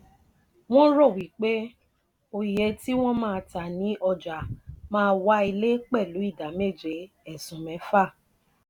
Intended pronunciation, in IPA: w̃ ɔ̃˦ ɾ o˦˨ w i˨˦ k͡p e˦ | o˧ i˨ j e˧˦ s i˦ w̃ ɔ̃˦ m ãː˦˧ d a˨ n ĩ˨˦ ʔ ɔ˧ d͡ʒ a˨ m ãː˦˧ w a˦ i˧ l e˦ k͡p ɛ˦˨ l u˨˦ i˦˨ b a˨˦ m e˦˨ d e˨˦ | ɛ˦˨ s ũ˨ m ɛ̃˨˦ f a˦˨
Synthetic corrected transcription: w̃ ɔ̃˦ ɾ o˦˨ w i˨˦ k͡p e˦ | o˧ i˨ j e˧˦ t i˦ w̃ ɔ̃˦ m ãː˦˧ t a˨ n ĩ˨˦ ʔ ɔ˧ d͡ʒ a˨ m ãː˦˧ w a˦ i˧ l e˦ k͡p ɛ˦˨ l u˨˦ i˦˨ d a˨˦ m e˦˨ d͡ʒ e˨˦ | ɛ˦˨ s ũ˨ m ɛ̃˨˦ f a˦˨